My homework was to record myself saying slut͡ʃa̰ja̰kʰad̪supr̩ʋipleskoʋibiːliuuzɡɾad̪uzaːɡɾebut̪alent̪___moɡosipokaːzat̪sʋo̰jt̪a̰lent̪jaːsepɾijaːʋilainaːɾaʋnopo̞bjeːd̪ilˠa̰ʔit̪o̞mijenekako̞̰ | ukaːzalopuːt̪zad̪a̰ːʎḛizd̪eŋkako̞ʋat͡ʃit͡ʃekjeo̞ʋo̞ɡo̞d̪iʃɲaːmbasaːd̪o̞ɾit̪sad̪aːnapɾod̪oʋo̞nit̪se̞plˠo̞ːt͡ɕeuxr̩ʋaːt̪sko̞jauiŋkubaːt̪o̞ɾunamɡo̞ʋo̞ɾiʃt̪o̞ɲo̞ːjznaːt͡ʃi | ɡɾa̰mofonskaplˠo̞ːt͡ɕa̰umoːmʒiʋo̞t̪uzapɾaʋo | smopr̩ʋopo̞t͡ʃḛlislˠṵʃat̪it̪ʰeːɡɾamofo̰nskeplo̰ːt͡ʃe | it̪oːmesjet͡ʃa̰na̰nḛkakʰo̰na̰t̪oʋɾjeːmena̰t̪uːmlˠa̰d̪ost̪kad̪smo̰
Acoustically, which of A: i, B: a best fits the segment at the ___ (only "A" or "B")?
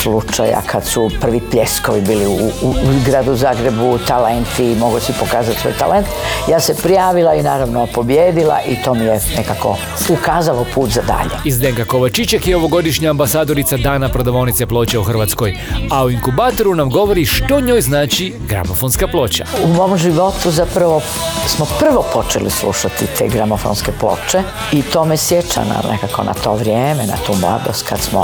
A